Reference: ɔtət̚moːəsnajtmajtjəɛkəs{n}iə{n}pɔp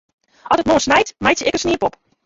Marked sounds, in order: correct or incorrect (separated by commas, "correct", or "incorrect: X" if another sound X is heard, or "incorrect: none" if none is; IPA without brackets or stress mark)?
correct, incorrect: none